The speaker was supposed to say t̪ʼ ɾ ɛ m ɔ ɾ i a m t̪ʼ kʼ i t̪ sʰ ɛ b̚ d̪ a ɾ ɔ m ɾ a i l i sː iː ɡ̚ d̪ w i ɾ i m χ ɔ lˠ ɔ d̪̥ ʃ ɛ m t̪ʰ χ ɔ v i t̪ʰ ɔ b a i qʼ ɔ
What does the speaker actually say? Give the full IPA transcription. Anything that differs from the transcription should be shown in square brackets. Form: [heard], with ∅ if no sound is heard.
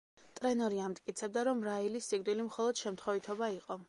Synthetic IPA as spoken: t̪ʼ ɾ ɛ [n] ɔ ɾ i a m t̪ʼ kʼ i t̪ sʰ ɛ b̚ d̪ a ɾ ɔ m ɾ a i l i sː [i] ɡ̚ d̪ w i [l] i m χ ɔ lˠ ɔ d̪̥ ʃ ɛ m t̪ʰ χ ɔ v i t̪ʰ ɔ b a i qʼ ɔ